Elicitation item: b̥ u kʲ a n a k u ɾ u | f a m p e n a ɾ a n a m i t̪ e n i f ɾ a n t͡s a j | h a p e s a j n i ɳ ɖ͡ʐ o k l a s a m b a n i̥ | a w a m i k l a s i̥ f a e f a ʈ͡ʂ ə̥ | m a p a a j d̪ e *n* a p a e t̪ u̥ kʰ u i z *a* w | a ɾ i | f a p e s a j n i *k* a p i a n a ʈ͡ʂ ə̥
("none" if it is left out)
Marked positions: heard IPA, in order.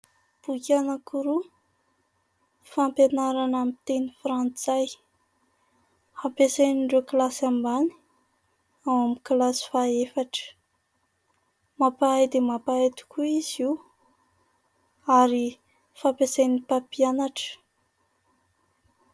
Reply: m, i, p

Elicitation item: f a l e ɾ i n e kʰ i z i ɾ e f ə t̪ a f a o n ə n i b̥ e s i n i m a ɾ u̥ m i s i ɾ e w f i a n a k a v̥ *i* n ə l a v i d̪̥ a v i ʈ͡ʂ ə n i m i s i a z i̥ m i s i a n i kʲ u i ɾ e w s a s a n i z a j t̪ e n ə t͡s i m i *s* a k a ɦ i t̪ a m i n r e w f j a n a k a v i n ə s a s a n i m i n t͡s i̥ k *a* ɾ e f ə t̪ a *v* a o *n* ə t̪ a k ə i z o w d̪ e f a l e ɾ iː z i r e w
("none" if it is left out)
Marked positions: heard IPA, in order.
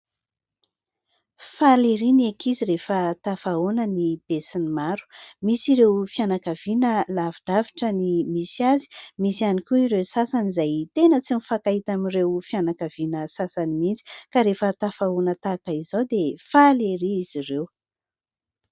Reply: i, f, a, f, n

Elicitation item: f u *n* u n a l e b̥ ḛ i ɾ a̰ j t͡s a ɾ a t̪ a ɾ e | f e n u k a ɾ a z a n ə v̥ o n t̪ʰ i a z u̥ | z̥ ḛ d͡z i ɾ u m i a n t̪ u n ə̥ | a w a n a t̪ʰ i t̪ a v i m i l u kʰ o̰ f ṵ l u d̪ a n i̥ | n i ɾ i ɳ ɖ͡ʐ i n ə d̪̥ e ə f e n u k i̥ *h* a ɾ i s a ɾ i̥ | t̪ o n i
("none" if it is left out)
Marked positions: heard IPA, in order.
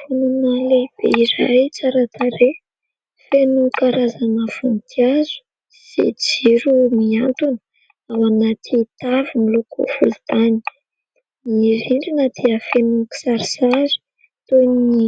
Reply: n, s

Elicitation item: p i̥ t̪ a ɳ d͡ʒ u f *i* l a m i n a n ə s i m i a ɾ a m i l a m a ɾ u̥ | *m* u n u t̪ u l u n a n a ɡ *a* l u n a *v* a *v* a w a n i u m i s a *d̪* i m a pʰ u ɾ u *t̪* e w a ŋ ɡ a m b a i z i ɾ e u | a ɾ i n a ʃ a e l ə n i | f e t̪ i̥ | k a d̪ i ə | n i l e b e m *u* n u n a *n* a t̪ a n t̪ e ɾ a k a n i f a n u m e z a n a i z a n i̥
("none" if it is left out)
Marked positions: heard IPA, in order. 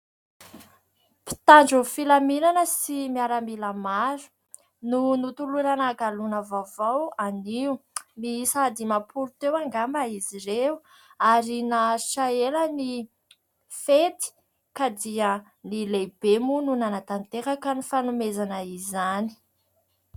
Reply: i, n, a, v, v, d̪, t̪, u, n

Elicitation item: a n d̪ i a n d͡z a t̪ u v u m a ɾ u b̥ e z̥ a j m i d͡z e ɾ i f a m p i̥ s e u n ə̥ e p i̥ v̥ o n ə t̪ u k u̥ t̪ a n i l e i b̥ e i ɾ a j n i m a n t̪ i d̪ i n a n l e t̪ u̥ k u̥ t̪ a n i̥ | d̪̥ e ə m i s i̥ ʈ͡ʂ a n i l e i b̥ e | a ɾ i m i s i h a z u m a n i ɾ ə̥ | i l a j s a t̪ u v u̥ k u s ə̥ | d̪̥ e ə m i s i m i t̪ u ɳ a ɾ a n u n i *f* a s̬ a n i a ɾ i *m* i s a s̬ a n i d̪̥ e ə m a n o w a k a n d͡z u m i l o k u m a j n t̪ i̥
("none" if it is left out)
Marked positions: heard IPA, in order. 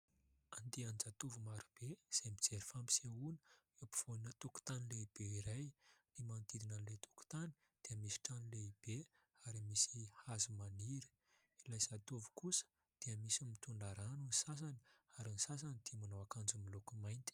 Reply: s, n

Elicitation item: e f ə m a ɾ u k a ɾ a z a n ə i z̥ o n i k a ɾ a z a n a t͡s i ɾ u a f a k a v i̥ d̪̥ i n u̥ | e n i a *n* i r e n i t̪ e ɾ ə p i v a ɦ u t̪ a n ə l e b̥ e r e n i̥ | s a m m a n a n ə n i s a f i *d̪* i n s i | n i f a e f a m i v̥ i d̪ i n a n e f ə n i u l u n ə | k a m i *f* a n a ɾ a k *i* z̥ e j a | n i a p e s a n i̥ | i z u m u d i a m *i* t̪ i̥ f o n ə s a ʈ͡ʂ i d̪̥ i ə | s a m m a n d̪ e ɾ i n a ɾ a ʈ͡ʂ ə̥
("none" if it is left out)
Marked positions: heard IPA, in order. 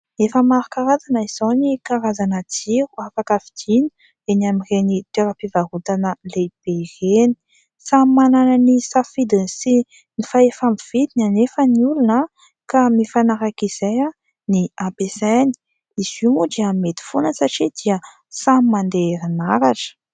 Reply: m, d̪, f, i, e

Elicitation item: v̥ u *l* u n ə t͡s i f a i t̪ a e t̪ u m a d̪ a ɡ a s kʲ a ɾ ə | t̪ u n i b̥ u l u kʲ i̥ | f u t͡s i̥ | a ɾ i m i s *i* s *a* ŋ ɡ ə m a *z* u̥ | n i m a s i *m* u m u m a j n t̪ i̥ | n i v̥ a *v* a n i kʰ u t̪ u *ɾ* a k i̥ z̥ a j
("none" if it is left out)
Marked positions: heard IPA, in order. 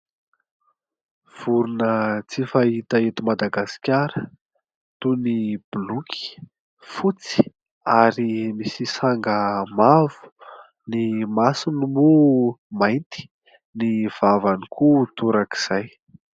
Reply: ɾ, i, a, v, n, v, ɾ

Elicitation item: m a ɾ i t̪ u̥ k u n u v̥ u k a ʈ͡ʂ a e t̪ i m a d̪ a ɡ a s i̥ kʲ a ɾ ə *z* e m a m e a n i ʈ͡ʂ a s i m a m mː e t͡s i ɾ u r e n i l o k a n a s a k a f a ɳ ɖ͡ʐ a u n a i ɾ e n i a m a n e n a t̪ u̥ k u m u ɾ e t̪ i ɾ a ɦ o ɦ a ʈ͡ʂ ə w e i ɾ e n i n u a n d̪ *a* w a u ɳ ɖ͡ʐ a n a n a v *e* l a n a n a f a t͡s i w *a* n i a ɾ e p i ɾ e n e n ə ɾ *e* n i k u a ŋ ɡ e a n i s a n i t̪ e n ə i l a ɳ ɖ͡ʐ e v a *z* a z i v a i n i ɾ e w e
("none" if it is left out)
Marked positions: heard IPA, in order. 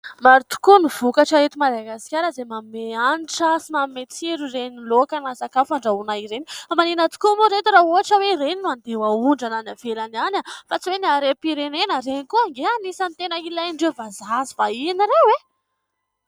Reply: z, e, e, e, e, z

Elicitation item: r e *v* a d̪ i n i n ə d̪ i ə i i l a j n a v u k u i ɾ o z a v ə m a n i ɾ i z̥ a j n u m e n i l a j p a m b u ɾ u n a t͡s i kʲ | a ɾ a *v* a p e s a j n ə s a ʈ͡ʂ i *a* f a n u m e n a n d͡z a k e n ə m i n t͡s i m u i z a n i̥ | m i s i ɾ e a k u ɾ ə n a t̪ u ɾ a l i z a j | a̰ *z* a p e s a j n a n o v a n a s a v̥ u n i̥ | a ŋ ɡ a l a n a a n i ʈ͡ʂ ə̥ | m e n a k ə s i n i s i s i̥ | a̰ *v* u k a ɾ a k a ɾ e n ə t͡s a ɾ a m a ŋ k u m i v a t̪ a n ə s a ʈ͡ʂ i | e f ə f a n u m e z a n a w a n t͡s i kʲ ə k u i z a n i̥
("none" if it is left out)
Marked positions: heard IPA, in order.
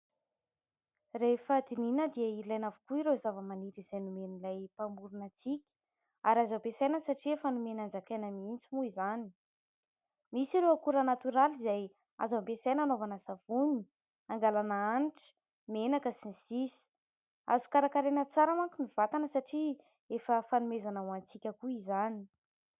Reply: f, z, e, z, z

